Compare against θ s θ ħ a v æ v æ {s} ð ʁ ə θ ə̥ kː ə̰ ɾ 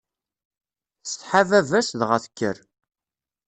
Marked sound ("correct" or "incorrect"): correct